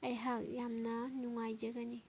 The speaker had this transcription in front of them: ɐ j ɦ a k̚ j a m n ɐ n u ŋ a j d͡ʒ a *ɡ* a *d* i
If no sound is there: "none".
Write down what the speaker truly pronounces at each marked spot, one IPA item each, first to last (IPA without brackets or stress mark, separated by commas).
ɡ, n